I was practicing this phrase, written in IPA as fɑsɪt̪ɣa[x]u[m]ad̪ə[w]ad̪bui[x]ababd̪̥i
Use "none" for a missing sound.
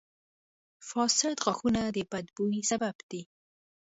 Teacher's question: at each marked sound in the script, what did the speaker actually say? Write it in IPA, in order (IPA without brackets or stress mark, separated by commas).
x, n, b, s